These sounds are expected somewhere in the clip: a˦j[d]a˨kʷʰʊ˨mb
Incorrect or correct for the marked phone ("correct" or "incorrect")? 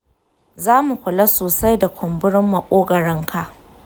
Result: correct